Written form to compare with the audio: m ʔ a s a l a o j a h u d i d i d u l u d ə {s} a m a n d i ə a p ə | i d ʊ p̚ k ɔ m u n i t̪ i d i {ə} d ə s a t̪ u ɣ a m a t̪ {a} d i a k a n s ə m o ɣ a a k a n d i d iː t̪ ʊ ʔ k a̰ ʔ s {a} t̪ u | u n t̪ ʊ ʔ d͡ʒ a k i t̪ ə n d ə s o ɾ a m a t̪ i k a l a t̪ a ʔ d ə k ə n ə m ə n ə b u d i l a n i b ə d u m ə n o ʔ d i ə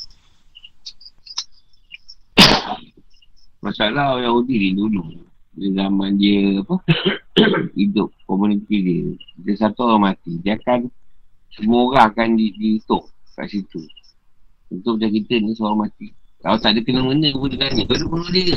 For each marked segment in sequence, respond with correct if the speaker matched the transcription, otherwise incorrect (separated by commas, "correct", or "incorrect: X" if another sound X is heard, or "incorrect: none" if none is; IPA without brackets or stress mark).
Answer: incorrect: z, correct, incorrect: i, incorrect: i